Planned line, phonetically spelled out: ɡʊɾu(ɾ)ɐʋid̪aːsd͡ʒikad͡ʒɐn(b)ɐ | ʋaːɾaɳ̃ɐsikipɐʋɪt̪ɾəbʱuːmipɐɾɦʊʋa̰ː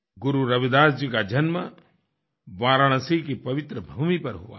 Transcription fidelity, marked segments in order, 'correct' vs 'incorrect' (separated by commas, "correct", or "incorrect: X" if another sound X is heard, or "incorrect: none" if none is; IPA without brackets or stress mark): correct, incorrect: m